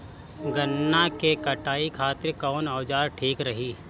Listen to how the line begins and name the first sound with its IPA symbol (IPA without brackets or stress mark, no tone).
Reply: ɡ